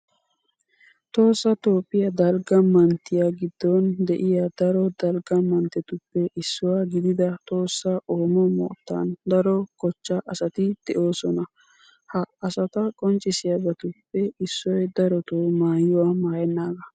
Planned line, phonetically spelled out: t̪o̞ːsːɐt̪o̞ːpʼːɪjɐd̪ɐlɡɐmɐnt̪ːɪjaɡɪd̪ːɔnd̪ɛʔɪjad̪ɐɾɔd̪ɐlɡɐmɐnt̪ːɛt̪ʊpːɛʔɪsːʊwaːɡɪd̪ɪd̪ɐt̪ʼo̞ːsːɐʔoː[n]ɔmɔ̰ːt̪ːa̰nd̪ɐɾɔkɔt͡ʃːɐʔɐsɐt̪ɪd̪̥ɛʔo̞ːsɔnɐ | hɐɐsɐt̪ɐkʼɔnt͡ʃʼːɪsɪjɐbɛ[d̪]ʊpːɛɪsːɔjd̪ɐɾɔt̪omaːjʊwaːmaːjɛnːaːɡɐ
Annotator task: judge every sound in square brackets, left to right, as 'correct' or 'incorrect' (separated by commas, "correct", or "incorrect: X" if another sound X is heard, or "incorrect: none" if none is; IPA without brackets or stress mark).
incorrect: m, incorrect: t̪